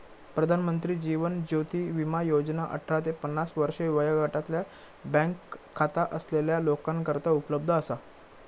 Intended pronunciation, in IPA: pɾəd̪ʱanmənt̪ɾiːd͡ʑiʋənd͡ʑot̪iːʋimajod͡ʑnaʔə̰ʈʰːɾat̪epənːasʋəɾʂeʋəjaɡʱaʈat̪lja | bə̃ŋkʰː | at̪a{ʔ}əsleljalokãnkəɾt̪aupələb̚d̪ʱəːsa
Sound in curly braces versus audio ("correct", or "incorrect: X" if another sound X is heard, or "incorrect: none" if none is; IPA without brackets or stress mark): correct